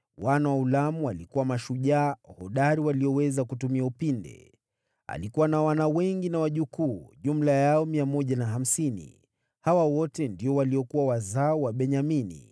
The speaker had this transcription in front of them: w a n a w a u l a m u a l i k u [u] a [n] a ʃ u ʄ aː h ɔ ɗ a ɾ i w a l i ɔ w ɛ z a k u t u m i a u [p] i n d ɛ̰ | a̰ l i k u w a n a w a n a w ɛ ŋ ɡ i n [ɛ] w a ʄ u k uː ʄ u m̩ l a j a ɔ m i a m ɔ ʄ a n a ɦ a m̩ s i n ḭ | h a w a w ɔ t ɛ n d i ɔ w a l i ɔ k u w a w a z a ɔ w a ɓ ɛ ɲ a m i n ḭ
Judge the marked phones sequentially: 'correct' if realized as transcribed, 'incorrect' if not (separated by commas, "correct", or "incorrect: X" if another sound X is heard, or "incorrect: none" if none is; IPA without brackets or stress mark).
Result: incorrect: w, incorrect: m, correct, incorrect: a